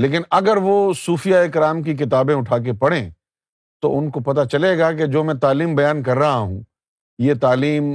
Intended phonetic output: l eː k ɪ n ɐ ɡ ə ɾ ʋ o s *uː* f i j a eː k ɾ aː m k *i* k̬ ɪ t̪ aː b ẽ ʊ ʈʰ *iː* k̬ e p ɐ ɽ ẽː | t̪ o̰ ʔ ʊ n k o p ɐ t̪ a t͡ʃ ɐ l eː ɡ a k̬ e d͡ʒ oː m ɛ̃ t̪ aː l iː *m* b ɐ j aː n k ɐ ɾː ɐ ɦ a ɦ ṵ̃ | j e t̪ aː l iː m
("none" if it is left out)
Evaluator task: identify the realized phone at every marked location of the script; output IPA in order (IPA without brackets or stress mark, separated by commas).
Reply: uː, i, aː, m